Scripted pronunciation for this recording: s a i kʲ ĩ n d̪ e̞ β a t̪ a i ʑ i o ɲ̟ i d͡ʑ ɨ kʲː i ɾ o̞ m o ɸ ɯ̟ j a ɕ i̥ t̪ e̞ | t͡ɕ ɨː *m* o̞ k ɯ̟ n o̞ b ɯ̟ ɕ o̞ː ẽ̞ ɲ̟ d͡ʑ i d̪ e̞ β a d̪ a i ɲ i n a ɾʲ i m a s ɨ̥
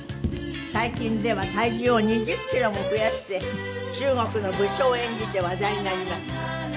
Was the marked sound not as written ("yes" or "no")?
yes